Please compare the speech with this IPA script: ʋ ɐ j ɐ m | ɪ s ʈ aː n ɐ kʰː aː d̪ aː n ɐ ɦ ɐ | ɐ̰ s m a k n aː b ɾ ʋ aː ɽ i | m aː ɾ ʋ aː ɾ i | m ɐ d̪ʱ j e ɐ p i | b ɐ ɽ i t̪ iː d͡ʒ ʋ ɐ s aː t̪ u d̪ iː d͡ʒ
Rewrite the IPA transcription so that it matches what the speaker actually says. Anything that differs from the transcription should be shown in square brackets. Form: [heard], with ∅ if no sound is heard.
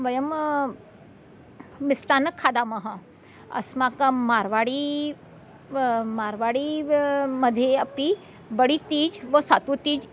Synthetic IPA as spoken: ʋ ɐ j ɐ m | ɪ s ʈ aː n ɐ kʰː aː d̪ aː [m] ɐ ɦ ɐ | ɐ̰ s m a k [m] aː [∅] ɾ ʋ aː ɽ i | m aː ɾ ʋ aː [ɽ] i | m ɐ d̪ʱ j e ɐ p i | b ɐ ɽ i t̪ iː d͡ʒ ʋ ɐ s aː t̪ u [t̪] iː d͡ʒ